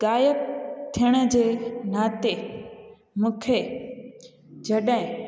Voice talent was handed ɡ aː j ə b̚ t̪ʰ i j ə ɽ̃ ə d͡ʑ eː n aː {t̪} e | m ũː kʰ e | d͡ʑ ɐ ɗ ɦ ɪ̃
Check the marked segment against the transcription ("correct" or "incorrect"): correct